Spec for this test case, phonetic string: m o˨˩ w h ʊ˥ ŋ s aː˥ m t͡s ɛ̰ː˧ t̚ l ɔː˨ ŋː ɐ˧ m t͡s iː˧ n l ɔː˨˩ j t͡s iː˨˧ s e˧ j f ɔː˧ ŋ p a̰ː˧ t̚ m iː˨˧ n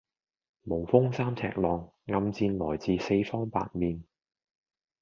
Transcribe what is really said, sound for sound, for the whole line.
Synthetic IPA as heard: m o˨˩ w f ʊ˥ ŋ s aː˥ m t͡sʰ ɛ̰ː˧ k̚ l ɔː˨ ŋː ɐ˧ m t͡s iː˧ n l ɔː˨˩ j t͡s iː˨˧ s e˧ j f ɔː˥ ŋ p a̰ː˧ t̚ m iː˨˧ n